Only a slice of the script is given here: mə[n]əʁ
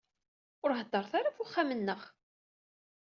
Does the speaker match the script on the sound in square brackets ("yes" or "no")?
no